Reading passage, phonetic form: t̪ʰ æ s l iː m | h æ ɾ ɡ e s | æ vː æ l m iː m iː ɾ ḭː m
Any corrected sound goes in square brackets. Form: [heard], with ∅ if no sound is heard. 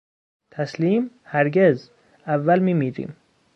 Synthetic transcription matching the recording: t̪ʰ æ s l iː m | h æ ɾ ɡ e [z] | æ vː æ l m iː m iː ɾ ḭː m